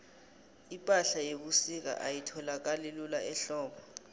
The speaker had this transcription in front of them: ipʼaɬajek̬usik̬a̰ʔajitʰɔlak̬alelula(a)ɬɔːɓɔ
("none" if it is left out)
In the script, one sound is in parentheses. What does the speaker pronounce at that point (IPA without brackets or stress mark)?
ɛ